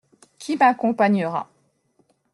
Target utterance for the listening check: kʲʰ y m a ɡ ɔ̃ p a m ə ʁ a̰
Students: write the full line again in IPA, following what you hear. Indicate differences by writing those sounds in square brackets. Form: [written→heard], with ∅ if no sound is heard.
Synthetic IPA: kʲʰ [y→i] m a [ɡ→k] ɔ̃ p a [m→ɲ] ə ʁ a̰

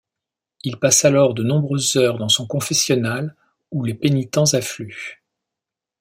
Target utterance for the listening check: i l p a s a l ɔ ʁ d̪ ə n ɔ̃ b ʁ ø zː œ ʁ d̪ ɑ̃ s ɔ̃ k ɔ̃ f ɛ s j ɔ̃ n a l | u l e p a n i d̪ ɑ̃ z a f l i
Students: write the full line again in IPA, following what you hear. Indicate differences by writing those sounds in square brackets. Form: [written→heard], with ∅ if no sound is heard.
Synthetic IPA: i l p a s a l ɔ ʁ d̪ ə n ɔ̃ b ʁ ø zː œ ʁ d̪ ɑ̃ s ɔ̃ k ɔ̃ f ɛ s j [ɔ̃→ɔ] n a l | u l e p [a→e] n i [d̪→t̪] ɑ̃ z a f l [i→y]

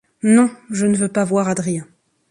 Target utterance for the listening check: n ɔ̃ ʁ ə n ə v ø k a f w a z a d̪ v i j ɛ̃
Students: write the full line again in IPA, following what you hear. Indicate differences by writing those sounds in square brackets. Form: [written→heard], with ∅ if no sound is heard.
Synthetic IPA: n ɔ̃ [ʁ→ʒ] ə n ə v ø [k→p] a [f→v] w a [z→ʁ] a d̪ [v→ʁ] i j ɛ̃

